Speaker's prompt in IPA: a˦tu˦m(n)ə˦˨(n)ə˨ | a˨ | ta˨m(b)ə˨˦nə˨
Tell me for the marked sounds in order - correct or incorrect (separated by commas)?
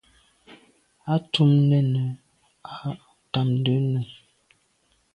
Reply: correct, correct, incorrect